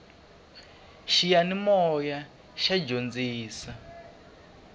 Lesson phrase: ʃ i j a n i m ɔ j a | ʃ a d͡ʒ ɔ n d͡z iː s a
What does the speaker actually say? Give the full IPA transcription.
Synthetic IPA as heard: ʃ i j a n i m ɔ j a | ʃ a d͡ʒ o n d͡z iː s a